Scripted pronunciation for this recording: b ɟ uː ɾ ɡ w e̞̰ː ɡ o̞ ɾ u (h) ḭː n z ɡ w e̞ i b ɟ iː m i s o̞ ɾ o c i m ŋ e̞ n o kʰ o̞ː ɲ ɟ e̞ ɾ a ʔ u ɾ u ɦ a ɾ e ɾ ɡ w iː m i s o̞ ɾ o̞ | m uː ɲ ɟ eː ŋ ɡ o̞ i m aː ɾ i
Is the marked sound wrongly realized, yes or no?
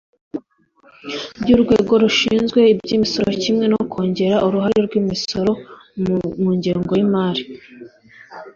yes